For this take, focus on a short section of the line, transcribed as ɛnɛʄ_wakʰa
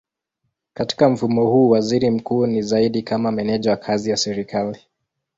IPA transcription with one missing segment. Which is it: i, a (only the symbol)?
a